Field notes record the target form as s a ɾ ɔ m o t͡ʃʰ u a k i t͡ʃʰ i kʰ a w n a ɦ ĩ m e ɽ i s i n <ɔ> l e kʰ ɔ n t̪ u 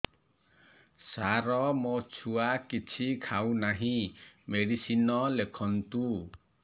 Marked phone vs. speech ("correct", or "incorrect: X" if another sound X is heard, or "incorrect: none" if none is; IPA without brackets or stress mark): correct